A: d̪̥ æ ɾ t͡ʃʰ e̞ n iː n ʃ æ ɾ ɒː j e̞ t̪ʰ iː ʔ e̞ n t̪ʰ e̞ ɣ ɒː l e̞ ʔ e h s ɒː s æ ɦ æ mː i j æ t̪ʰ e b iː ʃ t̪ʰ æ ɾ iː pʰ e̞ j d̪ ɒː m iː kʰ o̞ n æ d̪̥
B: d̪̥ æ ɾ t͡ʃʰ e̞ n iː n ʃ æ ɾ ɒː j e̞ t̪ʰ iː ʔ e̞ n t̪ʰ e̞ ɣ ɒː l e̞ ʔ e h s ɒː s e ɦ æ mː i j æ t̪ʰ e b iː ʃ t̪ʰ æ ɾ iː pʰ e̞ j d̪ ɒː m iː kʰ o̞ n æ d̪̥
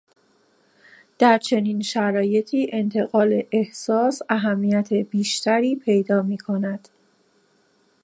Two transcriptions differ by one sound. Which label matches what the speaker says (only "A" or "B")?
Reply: A